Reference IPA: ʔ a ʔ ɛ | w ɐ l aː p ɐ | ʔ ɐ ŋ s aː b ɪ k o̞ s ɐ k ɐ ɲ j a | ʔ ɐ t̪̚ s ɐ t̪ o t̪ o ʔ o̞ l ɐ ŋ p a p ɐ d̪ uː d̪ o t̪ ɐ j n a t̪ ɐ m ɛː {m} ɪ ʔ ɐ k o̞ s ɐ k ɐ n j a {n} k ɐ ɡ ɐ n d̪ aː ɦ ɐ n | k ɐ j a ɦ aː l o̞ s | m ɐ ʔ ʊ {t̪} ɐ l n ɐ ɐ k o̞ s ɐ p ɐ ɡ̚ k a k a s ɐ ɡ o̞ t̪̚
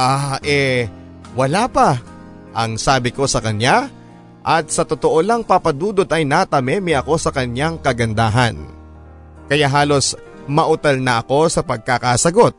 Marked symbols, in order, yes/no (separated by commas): yes, no, yes